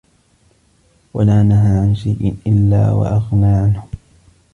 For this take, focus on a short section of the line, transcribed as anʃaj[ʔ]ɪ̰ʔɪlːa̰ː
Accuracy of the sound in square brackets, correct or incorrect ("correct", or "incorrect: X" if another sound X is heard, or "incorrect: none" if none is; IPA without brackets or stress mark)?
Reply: correct